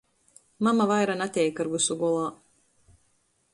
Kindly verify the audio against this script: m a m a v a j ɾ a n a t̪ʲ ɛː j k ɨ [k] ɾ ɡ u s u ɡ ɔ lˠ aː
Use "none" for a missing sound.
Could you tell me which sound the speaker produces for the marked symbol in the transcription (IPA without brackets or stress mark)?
none